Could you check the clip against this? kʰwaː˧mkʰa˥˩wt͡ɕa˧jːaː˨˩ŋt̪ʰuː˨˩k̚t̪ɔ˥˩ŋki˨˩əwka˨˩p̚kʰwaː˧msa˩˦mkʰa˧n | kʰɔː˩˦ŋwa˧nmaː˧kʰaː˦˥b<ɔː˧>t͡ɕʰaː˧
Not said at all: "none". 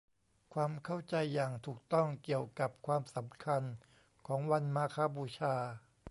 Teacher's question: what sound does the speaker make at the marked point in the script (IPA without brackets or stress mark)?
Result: uː˧